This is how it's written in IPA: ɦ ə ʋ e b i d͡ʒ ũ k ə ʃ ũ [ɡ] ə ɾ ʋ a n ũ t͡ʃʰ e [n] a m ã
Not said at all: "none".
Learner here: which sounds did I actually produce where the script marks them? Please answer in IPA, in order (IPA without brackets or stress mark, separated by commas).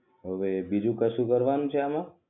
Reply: k, none